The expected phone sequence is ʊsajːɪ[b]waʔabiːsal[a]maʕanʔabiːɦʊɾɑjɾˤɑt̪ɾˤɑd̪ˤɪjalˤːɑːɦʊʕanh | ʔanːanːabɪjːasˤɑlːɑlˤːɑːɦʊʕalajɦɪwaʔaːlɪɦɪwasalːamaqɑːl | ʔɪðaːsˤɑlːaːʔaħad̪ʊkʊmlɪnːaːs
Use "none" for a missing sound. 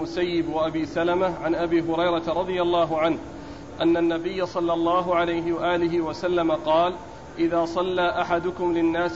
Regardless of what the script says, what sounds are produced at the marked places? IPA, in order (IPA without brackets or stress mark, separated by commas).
b, a